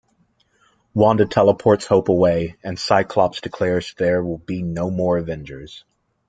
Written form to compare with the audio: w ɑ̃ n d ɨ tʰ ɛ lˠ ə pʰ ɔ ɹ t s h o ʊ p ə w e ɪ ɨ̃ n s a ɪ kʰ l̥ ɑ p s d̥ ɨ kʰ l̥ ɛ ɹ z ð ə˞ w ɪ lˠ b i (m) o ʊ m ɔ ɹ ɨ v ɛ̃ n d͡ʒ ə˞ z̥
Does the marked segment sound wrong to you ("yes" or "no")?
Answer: yes